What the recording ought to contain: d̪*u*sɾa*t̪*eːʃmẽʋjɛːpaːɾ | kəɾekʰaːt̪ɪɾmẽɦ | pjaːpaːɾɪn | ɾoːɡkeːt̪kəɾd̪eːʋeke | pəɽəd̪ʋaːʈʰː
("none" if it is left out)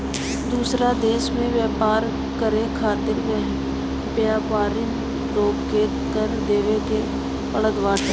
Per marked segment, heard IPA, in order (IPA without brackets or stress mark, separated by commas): uː, d̪